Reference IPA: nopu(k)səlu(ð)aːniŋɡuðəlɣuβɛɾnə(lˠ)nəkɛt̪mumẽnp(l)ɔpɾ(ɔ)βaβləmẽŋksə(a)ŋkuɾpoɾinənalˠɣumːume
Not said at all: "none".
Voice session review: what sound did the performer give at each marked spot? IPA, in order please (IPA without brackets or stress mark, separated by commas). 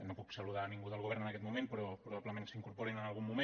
k, ð, none, ɾ, u, i